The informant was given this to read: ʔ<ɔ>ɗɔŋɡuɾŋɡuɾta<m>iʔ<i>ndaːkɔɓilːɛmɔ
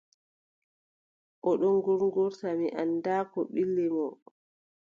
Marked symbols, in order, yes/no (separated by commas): yes, yes, no